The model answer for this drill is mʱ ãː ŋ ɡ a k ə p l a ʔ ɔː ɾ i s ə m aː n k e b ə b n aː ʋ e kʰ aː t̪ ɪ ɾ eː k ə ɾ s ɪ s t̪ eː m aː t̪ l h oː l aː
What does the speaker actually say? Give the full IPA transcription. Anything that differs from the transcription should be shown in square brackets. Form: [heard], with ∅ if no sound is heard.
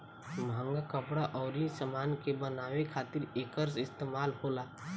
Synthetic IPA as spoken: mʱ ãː ŋ ɡ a k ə p [ɽ] a ʔ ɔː ɾ i s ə m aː n k e b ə [∅] n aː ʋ e kʰ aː t̪ ɪ ɾ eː k ə ɾ s ɪ s t̪ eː m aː [∅] l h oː l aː